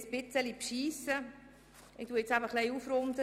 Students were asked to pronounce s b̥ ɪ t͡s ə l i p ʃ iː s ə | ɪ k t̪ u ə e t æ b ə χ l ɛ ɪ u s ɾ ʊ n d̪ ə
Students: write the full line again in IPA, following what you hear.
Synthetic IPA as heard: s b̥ ɪ t͡s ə l i p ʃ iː s ə | ɪ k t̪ u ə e t͡s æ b ə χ l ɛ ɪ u f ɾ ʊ n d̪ ə